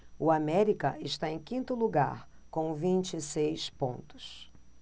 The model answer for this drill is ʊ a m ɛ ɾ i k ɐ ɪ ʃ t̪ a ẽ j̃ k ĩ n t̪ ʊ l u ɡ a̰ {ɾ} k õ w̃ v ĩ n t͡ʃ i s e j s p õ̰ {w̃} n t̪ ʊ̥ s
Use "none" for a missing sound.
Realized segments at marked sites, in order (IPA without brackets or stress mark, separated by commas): ɾ, none